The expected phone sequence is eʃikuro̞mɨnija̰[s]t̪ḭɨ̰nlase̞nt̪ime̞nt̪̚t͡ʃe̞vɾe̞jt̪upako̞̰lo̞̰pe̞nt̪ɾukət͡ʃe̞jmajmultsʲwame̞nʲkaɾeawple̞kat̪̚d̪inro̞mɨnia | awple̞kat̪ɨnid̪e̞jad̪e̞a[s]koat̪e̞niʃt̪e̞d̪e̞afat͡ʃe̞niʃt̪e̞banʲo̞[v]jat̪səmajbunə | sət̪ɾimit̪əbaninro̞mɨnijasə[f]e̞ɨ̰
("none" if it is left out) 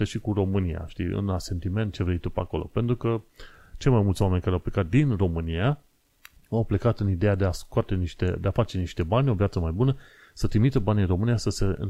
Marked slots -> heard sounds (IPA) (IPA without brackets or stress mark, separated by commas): ʃ, s, v, s